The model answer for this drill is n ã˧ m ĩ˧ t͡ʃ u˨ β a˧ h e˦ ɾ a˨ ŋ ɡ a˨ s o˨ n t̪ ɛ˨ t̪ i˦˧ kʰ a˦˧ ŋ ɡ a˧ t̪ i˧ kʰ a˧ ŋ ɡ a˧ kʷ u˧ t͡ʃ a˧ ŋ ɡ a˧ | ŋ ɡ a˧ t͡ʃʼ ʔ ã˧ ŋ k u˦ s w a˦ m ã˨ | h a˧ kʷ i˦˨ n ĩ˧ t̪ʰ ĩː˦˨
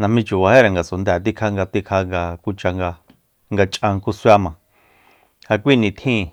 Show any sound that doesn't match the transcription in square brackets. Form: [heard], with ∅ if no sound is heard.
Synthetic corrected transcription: n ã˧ m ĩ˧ t͡ʃ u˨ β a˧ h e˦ ɾ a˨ ŋ ɡ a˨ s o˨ n [d̪] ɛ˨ t̪ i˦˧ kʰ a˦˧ ŋ ɡ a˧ t̪ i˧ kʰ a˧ ŋ ɡ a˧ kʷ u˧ t͡ʃ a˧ ŋ ɡ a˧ | ŋ ɡ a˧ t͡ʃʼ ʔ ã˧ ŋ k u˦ s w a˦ m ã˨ | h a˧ kʷ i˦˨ n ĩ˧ t̪ʰ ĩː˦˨

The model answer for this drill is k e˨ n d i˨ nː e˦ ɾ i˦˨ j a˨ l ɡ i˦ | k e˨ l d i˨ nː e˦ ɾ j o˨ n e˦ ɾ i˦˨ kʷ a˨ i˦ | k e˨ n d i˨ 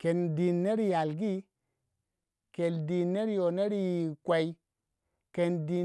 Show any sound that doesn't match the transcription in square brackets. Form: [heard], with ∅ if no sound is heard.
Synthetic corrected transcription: k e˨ n d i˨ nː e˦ ɾ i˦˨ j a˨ l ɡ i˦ | k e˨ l d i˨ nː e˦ ɾ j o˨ n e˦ ɾ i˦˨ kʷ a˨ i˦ | k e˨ n d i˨

